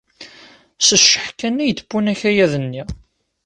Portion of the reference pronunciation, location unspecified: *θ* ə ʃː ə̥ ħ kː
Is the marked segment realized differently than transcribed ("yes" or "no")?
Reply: yes